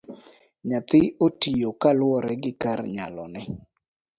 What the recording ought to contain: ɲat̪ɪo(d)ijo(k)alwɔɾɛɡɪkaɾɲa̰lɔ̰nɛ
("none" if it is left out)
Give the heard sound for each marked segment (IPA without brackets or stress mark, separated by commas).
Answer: t, k